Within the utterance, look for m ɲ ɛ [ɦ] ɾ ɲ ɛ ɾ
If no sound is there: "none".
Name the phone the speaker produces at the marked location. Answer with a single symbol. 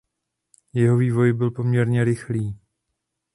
none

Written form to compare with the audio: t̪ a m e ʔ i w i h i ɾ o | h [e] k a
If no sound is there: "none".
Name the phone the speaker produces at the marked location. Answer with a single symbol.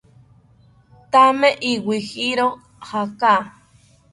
a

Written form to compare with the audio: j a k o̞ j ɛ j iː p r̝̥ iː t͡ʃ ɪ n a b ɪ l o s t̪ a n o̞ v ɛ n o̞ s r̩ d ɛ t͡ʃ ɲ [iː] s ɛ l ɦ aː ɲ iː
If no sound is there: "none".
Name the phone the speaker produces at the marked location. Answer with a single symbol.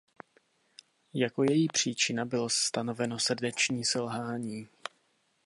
iː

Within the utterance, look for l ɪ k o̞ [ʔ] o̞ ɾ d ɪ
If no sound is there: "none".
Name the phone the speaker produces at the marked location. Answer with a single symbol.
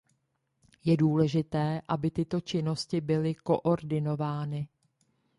ʔ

